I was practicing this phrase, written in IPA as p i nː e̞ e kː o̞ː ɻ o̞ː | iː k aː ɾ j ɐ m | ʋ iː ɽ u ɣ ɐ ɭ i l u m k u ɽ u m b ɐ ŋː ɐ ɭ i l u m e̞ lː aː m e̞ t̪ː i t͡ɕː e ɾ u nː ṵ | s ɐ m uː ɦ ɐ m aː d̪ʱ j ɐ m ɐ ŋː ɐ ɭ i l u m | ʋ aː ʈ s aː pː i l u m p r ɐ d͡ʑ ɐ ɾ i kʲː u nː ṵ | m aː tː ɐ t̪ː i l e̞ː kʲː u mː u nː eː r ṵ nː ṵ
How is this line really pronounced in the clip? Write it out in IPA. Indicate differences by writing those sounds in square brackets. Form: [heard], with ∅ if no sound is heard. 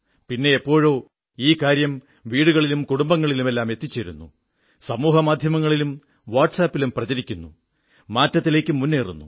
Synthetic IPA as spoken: p i nː e̞ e [pː] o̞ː ɻ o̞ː | iː k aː ɾ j ɐ m | ʋ iː ɽ u ɣ ɐ ɭ i l u m k u ɽ u m b ɐ ŋː ɐ ɭ i l u m e̞ lː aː m e̞ t̪ː i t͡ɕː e ɾ u nː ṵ | s ɐ m uː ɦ ɐ m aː d̪ʱ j ɐ m ɐ ŋː ɐ ɭ i l u m | ʋ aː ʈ s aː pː i l u m p r ɐ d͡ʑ ɐ ɾ i kʲː u nː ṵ | m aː tː ɐ t̪ː i l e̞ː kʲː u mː u nː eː r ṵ nː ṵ